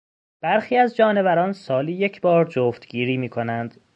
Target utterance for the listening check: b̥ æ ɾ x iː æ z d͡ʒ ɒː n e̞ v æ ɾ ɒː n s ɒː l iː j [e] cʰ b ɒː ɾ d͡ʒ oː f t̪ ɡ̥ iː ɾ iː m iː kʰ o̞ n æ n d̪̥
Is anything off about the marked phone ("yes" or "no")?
no